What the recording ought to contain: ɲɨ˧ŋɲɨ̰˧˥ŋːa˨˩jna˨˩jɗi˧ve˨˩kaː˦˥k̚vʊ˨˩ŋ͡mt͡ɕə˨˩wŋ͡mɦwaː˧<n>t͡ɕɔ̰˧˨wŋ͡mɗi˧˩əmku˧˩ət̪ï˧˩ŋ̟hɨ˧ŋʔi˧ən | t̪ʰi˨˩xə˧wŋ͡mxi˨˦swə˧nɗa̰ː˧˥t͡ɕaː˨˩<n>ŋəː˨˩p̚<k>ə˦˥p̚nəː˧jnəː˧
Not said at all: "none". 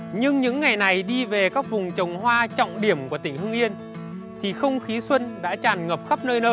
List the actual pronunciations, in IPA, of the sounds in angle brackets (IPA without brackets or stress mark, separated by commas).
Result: none, n, x